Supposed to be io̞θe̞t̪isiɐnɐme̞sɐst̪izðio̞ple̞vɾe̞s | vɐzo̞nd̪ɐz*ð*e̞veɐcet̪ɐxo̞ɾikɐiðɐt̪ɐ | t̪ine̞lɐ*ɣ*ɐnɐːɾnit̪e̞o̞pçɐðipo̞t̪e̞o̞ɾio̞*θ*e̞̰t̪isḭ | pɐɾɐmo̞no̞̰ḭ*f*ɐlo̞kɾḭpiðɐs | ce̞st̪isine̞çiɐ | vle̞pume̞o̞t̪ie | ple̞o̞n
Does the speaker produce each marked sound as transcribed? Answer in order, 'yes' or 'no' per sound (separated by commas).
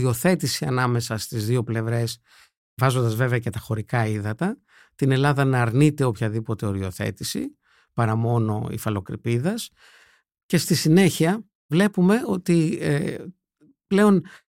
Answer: no, no, yes, yes